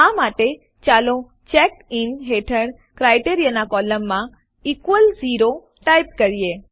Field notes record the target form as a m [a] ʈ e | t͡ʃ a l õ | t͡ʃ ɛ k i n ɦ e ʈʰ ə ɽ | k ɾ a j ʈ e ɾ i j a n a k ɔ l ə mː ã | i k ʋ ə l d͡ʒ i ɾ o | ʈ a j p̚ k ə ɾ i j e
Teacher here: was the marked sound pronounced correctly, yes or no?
yes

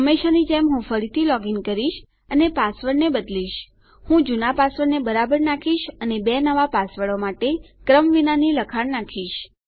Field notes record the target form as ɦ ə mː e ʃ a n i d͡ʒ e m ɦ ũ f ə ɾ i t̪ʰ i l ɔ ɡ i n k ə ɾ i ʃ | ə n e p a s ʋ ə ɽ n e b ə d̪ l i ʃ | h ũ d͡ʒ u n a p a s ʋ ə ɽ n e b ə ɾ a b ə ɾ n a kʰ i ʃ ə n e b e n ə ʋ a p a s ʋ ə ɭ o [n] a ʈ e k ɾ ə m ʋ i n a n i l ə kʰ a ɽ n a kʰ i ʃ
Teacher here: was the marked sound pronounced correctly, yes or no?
no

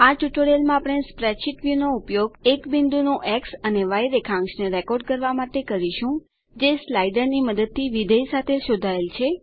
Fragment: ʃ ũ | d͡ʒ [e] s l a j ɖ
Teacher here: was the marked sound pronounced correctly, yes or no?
yes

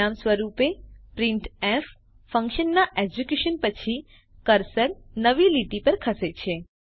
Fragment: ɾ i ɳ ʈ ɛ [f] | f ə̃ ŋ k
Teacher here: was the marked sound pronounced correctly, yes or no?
yes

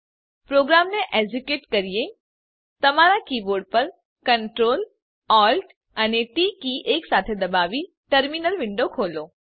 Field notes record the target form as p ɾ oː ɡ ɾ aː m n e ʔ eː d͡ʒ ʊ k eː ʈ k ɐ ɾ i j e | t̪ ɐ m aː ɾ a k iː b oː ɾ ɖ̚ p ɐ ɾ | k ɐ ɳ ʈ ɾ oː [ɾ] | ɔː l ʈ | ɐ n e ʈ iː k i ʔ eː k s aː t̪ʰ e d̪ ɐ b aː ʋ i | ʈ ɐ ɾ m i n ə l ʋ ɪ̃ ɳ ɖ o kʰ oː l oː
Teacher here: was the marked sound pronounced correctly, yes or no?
no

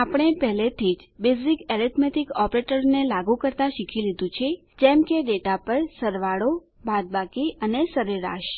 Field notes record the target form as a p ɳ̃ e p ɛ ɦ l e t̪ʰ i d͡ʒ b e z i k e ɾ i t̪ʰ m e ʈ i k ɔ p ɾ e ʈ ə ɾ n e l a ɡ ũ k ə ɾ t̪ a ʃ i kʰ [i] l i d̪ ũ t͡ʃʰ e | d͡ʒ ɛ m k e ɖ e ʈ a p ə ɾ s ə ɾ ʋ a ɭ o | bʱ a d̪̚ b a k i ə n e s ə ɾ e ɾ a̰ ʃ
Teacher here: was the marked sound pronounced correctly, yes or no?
yes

